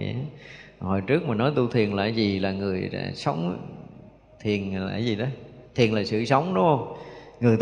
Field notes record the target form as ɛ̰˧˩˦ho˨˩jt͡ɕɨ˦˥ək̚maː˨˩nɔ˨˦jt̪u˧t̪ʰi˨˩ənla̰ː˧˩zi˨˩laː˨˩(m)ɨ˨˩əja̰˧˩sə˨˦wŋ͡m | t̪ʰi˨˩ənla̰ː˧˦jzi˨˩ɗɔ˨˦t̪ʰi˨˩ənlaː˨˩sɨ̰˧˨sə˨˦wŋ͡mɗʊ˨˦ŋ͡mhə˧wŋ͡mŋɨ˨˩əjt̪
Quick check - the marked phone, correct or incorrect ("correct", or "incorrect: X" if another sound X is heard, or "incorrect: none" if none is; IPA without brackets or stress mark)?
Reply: incorrect: ŋ